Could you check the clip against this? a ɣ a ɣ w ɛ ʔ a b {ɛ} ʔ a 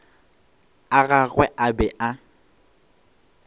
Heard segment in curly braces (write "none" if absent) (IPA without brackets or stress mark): ɛ